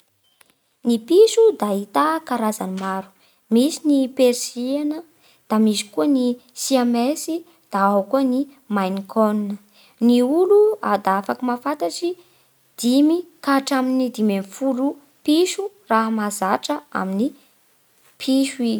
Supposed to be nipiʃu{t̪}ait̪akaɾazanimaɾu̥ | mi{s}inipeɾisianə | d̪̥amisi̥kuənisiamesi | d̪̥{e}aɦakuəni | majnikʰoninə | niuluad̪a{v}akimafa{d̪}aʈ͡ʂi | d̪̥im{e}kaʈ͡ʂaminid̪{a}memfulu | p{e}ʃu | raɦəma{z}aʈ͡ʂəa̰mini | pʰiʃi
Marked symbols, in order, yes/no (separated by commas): no, yes, no, no, no, no, no, no, yes